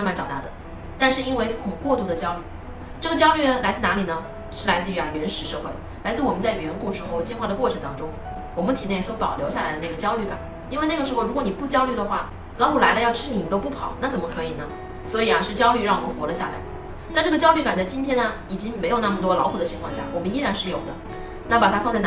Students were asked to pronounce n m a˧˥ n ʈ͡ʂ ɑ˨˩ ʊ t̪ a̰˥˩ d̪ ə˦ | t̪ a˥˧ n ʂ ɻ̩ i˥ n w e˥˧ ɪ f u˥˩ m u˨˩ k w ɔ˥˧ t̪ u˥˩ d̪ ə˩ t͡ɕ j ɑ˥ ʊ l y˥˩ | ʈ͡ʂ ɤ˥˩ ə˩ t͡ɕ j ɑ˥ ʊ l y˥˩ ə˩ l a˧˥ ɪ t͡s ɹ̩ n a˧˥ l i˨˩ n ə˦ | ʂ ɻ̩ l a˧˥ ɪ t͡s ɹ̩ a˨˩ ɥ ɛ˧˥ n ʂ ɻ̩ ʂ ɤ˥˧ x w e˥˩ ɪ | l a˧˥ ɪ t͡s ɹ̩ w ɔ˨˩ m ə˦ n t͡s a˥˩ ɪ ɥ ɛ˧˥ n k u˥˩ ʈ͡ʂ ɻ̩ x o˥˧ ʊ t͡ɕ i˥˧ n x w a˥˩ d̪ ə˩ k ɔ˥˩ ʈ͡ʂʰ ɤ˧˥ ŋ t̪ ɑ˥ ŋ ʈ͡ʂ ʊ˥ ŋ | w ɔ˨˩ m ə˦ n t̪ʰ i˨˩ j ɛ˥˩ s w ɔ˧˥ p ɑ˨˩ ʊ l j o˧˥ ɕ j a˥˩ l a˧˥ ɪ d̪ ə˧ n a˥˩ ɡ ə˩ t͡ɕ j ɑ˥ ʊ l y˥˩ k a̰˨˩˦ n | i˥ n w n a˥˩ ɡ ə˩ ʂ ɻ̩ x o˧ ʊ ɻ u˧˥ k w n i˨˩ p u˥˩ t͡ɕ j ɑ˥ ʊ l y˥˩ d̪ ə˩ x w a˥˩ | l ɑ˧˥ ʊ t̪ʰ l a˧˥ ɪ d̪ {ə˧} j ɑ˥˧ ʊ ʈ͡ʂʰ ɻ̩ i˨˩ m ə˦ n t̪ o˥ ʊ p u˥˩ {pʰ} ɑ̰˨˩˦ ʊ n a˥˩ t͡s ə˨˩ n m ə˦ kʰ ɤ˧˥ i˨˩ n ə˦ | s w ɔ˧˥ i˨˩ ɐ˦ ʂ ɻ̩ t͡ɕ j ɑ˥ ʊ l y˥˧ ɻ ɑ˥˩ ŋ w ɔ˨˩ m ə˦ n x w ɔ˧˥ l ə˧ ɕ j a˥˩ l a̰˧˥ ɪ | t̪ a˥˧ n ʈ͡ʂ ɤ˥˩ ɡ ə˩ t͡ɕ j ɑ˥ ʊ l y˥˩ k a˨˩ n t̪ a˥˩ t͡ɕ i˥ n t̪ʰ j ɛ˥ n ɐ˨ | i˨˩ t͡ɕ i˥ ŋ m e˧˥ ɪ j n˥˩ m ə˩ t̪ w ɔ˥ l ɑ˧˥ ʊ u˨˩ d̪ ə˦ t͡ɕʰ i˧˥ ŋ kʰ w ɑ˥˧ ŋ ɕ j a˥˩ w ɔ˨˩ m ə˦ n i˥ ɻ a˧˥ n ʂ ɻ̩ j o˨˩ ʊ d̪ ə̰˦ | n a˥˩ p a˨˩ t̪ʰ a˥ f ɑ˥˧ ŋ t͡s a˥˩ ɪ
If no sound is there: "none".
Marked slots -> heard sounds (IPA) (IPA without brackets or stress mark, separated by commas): ə˧, pʰ